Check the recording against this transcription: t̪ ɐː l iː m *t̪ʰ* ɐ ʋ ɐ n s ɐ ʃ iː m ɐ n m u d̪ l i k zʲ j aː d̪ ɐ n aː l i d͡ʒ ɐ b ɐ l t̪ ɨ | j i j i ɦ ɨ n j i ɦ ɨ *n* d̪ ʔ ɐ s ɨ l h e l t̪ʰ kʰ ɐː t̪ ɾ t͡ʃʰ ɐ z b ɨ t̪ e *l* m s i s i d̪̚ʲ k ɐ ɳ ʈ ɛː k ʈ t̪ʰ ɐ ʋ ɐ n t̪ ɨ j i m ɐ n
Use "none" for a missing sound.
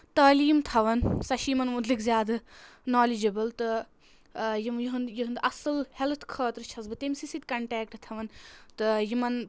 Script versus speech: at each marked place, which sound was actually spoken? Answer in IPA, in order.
t̪ʰ, n, none

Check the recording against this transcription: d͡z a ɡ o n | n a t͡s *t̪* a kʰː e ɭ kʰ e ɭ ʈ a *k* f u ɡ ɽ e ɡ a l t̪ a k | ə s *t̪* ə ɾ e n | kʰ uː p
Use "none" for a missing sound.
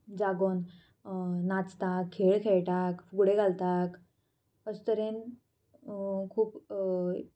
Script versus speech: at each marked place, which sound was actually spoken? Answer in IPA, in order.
t̪, k, t̪

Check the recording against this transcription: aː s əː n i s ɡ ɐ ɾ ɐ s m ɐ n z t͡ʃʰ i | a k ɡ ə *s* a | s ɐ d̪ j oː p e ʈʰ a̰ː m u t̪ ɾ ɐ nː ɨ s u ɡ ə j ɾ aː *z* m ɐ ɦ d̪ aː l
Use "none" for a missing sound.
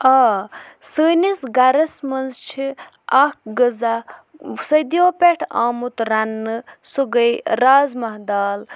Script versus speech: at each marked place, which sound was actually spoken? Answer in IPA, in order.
z, z

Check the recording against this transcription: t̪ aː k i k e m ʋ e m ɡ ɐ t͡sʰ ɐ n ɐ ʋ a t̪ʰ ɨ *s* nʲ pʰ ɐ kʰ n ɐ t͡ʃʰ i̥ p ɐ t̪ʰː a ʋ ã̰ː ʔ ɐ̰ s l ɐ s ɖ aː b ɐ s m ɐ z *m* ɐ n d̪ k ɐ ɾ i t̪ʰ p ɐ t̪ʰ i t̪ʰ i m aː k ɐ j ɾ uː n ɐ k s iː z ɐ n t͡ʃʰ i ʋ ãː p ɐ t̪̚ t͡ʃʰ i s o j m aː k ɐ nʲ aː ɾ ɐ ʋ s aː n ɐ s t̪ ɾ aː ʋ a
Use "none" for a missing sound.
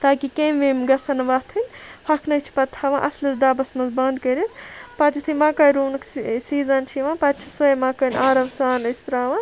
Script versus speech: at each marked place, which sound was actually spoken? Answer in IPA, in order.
none, b

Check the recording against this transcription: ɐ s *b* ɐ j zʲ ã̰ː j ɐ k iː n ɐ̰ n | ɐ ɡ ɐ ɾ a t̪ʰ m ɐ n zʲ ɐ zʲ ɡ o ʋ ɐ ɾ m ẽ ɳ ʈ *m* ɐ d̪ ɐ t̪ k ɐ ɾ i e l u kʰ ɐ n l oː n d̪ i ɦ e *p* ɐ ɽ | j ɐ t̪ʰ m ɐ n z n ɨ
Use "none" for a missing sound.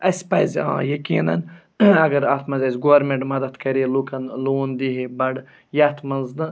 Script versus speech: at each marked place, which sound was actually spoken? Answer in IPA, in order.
p, m, b

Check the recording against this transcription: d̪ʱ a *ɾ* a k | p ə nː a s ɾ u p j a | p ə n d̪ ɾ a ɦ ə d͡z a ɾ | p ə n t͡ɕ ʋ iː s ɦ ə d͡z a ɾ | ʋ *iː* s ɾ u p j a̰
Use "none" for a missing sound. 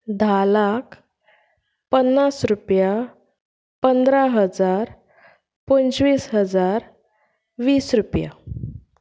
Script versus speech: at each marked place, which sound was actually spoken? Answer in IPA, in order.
l, iː

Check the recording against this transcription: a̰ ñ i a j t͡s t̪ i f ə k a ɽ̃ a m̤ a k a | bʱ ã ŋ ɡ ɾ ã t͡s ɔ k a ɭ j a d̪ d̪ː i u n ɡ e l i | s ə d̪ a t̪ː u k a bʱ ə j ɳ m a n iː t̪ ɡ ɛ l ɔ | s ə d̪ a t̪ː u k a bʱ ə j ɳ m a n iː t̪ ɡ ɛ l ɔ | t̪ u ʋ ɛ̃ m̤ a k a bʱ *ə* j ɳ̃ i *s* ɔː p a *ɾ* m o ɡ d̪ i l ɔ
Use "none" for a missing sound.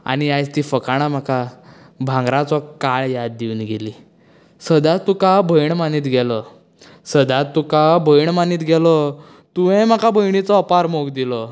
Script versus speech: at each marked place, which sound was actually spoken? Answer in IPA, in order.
ə, t͡s, ɾ

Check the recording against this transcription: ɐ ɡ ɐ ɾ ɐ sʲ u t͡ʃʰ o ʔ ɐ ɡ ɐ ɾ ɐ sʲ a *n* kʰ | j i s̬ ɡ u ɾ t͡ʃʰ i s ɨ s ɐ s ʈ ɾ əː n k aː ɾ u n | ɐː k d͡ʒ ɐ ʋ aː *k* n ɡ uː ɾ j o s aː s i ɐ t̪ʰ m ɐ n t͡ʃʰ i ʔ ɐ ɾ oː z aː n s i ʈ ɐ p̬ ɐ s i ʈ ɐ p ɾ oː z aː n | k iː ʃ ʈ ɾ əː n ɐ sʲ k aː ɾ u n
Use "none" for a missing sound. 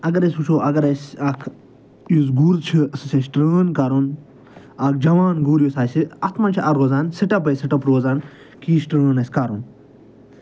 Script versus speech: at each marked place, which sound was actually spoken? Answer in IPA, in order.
none, none

